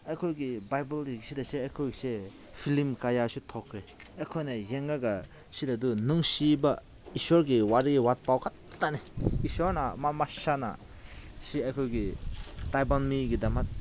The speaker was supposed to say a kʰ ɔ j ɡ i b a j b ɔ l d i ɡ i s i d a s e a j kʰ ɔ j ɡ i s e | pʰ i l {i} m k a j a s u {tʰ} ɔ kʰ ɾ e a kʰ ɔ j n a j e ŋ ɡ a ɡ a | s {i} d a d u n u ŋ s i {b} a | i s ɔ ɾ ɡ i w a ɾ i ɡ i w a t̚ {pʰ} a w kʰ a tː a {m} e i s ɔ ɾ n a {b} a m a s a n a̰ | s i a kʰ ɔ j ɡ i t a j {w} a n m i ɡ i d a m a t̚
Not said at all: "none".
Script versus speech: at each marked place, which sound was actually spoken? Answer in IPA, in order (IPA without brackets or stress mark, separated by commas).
i, tʰ, i, b, p, n, m, b